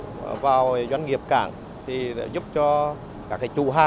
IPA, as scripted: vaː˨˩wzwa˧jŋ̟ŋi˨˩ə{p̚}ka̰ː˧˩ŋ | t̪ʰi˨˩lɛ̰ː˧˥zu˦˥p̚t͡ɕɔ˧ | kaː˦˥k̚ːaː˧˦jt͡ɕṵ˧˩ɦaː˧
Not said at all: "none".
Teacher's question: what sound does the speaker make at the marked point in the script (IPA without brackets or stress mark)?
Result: p̚